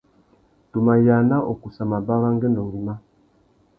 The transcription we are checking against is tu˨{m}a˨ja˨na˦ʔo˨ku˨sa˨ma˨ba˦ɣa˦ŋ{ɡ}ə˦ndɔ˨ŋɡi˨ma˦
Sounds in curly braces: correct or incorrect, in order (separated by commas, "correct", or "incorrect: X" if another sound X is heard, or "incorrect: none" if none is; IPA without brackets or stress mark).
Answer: correct, correct